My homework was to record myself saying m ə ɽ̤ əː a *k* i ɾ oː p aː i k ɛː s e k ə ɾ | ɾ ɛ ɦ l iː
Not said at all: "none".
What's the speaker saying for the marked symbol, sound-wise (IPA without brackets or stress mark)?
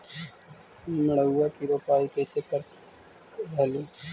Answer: k